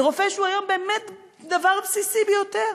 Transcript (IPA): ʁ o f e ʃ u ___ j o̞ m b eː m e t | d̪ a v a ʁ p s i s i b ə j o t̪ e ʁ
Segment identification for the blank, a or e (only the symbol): a